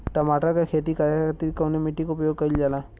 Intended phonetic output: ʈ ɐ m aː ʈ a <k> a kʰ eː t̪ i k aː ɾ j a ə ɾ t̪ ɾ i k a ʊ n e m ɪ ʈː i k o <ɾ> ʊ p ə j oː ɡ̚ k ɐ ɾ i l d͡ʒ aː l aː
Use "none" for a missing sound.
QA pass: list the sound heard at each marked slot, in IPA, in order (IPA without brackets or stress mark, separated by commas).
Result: k, none